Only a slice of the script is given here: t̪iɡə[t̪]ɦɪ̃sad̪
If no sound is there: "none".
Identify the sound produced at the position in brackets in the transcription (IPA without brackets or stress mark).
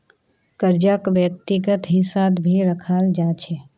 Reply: t̪